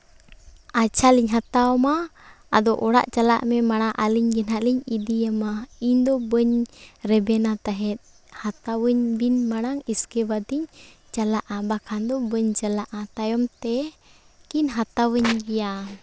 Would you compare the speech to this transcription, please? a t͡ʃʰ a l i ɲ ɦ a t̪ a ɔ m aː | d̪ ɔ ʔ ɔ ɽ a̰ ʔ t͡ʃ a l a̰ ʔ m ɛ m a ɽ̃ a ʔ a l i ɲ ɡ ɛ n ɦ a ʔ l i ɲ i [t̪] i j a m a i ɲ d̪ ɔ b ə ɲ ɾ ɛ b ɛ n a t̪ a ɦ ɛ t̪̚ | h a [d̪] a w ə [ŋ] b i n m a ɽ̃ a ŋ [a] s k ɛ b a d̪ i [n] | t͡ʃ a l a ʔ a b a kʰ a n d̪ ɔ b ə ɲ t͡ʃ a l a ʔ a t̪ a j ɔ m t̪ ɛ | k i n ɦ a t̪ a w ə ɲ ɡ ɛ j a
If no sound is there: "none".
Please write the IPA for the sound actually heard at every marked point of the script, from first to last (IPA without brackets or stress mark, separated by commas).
d̪, t̪, ɲ, i, ɲ